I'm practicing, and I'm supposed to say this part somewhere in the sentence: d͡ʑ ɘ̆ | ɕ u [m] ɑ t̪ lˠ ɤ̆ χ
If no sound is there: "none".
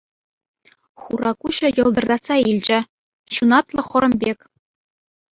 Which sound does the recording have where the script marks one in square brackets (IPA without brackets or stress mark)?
n